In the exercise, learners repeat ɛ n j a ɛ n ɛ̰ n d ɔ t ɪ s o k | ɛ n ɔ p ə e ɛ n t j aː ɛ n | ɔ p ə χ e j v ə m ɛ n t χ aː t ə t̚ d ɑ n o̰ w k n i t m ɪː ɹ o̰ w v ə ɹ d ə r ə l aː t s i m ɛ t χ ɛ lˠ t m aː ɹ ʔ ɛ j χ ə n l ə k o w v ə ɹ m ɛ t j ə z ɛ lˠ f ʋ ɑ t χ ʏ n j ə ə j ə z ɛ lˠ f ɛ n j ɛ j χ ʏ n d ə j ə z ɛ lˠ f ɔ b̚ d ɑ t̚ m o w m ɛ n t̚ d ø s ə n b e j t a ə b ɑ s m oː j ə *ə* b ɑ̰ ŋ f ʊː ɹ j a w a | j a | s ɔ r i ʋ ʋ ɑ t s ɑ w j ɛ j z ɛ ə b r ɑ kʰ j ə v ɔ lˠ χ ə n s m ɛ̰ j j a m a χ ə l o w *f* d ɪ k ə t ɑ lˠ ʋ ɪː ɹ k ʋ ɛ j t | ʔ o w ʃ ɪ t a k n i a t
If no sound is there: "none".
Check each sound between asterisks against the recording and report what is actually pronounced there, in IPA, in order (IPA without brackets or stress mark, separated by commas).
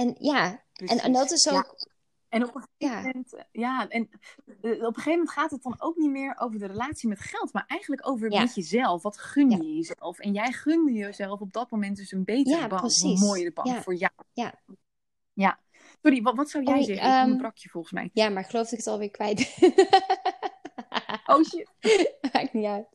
ə, f